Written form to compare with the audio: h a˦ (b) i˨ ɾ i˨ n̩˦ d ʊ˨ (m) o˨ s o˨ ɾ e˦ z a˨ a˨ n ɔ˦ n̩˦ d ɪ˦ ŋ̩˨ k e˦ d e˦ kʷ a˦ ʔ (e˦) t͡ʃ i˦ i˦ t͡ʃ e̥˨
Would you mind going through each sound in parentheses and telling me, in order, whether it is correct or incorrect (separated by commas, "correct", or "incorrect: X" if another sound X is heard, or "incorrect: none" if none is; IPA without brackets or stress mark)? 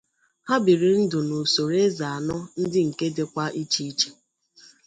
correct, incorrect: n, incorrect: i˦